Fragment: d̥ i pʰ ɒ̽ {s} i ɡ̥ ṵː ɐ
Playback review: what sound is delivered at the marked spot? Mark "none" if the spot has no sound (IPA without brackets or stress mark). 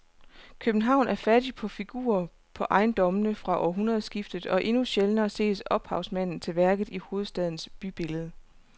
f